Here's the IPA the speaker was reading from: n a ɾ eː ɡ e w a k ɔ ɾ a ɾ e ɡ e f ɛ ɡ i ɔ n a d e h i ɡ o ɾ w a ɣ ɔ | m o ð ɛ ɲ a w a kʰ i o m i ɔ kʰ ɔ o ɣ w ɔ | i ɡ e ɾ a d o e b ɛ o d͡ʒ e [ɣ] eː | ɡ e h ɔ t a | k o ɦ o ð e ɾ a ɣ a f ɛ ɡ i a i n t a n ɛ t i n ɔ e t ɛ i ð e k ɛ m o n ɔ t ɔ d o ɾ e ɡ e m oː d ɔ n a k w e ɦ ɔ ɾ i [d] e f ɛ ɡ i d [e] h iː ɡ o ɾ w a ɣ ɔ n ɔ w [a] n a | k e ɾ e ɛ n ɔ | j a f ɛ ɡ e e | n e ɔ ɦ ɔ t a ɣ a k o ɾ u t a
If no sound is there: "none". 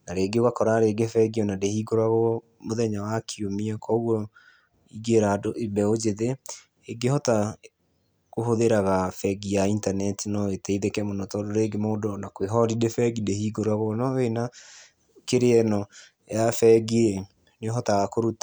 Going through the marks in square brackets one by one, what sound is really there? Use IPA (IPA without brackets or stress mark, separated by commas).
ð, d, e, e